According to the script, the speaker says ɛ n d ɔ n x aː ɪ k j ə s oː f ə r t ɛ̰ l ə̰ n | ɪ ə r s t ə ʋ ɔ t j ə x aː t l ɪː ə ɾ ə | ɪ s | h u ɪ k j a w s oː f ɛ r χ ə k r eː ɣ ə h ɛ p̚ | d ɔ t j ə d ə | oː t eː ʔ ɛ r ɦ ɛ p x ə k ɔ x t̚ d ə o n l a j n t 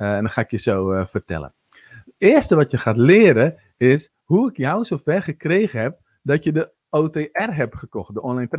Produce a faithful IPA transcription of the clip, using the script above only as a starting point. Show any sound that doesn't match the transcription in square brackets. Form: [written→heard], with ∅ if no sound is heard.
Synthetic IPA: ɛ n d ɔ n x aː ɪ k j ə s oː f ə r t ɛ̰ l ə̰ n | ɪ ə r s t ə ʋ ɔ t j ə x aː t l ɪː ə ɾ ə | ɪ s | h u ɪ k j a w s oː f ɛ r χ ə k r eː ɣ ə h ɛ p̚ | d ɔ t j ə d ə | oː t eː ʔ ɛ r ɦ ɛ p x ə k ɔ x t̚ d ə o n l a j n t